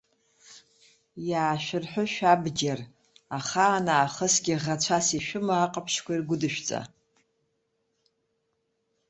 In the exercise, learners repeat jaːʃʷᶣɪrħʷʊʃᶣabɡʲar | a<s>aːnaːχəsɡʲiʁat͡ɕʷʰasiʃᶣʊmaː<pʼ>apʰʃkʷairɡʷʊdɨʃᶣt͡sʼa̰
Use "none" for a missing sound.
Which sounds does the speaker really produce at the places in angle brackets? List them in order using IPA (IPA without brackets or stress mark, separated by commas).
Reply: χ, qʼ